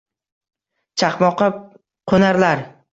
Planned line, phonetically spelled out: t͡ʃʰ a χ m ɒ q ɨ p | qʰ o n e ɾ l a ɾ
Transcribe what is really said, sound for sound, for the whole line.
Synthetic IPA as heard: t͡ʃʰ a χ m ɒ q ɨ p | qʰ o n a ɾ l a ɾ